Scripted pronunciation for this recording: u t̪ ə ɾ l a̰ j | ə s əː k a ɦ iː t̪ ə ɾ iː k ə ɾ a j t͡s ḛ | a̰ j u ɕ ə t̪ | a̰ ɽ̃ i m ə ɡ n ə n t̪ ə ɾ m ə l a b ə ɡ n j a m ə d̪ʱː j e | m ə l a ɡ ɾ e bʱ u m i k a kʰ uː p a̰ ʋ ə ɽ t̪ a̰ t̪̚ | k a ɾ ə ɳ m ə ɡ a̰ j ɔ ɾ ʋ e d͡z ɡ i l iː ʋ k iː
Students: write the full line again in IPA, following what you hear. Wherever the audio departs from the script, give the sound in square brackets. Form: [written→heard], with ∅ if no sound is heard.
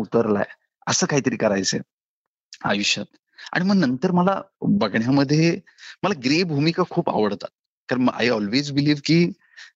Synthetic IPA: u t̪ ə ɾ l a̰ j | ə s əː k a ɦ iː t̪ ə ɾ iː k ə ɾ a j t͡s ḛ | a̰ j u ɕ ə t̪ | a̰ ɽ̃ i m ə ɡ n ə n t̪ ə ɾ m ə l a b ə ɡ [n→ɳ] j a m ə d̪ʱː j e | m ə l a ɡ ɾ e bʱ u m i k a kʰ uː p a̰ ʋ ə ɽ t̪ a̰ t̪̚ | k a ɾ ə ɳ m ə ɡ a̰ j ɔ [ɾ→l] ʋ e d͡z [ɡ→b] i l iː ʋ k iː